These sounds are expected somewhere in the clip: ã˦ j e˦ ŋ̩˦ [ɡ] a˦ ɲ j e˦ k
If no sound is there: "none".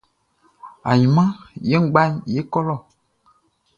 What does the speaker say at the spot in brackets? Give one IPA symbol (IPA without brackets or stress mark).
ɡ͡b